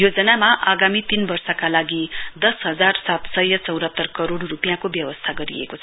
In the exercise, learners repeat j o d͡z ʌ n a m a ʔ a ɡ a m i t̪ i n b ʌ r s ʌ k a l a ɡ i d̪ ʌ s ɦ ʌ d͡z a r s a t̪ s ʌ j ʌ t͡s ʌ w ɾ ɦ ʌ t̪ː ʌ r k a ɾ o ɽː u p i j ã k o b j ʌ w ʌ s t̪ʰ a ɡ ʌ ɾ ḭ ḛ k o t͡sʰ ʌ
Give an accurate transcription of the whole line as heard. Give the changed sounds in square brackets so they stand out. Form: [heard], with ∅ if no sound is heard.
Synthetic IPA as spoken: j o d͡z ʌ n a m a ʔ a ɡ a m i t̪ i n b ʌ r s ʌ k a l a ɡ i d̪ ʌ s ɦ ʌ d͡z a r s a t̪ s ʌ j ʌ t͡s ʌ w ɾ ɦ ʌ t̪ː ʌ r k [ʌ] ɾ o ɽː u p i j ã k o b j ʌ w ʌ s t̪ʰ a ɡ ʌ ɾ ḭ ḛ k o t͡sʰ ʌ